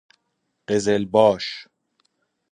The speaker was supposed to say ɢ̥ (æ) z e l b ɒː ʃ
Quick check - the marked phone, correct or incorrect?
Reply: incorrect